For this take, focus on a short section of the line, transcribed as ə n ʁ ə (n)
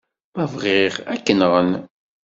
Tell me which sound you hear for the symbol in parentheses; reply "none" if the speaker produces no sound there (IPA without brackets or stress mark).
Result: n